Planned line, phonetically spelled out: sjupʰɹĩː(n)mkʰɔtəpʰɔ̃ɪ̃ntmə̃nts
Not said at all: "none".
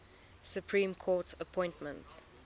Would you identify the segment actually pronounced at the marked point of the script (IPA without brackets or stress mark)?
none